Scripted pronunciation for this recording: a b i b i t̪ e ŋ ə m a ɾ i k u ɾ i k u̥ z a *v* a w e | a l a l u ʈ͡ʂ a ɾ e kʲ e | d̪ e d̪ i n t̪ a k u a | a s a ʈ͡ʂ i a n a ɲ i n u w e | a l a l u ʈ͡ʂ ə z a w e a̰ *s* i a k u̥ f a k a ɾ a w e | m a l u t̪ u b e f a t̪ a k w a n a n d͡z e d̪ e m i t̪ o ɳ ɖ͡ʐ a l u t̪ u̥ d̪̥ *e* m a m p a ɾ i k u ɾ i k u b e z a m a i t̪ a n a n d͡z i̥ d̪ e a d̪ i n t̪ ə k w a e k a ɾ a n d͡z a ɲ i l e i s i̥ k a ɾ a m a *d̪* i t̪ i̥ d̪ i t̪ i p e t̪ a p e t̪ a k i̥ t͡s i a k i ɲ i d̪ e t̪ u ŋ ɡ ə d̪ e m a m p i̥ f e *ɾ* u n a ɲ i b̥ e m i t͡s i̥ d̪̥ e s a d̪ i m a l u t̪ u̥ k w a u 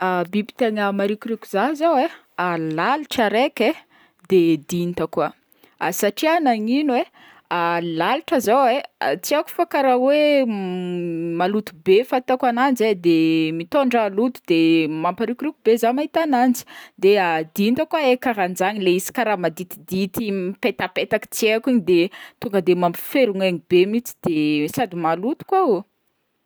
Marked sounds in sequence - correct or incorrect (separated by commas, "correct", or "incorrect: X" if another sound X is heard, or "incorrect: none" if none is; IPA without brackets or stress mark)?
incorrect: z, incorrect: t͡s, correct, correct, correct